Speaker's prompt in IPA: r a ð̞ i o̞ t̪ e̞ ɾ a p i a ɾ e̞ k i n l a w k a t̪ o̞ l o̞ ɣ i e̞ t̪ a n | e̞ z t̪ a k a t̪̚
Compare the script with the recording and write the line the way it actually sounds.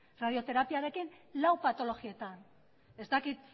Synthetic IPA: r a ð̞ i o̞ t̪ e̞ ɾ a p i a ɾ e̞ k i n l a w p a t̪ o̞ l o̞ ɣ i e̞ t̪ a n | e̞ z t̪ a k i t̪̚